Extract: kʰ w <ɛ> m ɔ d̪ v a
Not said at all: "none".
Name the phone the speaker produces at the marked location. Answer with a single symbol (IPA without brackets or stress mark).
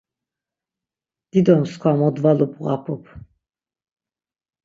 a